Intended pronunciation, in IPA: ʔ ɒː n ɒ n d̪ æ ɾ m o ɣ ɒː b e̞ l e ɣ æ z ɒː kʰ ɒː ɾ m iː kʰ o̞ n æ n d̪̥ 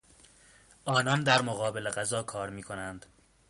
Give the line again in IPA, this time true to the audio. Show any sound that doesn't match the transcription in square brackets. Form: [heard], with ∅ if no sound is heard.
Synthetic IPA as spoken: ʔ ɒː n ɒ n d̪ æ ɾ m o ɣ ɒː b e̞ l e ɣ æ z ɒː kʰ ɒː ɾ m iː kʰ o̞ n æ n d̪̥